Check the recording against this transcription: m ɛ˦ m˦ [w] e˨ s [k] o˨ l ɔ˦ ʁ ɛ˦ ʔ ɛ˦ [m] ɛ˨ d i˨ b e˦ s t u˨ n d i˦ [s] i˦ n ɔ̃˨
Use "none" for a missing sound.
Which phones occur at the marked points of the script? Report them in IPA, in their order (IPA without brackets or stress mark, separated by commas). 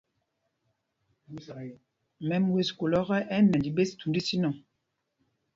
w, k, n, s